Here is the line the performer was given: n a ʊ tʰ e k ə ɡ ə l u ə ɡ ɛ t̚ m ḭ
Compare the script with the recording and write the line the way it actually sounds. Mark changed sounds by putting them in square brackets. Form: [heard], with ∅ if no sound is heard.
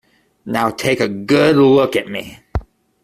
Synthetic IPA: n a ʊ tʰ e k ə ɡ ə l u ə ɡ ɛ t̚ m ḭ